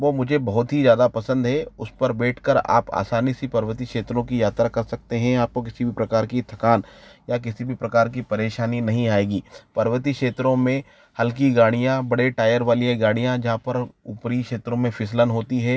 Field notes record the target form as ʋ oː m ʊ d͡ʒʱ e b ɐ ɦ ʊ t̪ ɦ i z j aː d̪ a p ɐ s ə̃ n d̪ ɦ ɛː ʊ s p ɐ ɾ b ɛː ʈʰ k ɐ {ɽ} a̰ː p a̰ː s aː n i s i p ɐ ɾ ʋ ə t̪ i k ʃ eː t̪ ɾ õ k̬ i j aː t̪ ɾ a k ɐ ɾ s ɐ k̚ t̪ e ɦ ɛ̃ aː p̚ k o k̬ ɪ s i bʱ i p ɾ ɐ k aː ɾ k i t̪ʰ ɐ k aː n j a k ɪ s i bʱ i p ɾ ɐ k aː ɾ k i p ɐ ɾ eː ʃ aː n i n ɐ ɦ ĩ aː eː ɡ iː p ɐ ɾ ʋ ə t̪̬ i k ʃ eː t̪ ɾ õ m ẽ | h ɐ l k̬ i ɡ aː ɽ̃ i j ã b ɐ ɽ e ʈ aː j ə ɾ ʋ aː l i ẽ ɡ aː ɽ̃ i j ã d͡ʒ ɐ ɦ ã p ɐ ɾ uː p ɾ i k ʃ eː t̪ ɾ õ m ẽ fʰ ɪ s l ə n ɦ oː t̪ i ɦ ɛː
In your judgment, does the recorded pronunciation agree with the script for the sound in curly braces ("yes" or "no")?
no